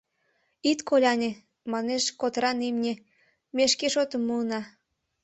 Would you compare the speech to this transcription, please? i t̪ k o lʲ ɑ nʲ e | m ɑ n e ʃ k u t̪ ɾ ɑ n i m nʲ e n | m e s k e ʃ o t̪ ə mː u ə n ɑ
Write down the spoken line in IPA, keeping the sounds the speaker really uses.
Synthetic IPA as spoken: i t̪ k o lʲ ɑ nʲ e | m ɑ n e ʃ k o t̪ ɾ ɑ n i m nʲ e | m e ʃ k e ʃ o t̪ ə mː u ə n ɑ